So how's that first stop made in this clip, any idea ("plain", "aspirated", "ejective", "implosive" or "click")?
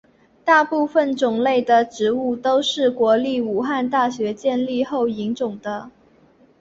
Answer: plain